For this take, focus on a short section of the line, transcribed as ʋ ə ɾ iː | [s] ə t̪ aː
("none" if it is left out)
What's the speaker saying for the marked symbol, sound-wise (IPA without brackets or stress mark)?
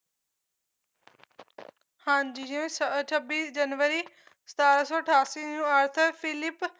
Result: s